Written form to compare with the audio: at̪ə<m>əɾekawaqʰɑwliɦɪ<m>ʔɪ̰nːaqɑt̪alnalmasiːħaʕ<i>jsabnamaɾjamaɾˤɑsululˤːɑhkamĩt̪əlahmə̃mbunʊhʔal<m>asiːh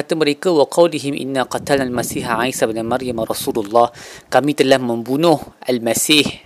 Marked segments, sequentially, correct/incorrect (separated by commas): correct, correct, incorrect, correct